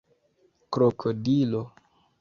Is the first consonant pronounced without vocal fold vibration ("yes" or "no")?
yes